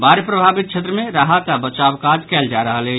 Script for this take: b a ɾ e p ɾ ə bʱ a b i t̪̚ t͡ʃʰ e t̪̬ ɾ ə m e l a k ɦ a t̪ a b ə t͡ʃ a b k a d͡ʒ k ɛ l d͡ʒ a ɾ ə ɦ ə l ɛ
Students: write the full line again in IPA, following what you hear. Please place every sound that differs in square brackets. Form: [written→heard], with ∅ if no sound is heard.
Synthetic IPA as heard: b a ɾ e p ɾ ə bʱ a b i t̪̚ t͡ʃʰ e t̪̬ ɾ ə m e [l→ɾ] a [k→∅] ɦ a t̪ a b ə t͡ʃ a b k a d͡ʒ k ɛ l d͡ʒ a ɾ ə ɦ ə l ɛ